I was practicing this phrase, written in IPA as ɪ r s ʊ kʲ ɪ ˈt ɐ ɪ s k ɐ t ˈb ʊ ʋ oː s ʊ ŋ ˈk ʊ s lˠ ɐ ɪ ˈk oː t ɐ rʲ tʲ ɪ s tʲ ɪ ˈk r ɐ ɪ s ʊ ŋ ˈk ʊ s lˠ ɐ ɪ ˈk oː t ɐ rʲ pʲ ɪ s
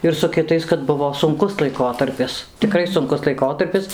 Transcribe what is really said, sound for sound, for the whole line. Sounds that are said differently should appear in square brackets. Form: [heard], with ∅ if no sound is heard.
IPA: ɪ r s ʊ kʲ ɪ ˈt ɐ ɪ s k ɐ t ˈb ʊ ʋ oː s ʊ ŋ ˈk ʊ s lˠ ɐ ɪ ˈk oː t ɐ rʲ [pʲ] ɪ s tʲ ɪ ˈk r ɐ ɪ s ʊ ŋ ˈk ʊ s lˠ ɐ ɪ ˈk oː t ɐ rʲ pʲ ɪ s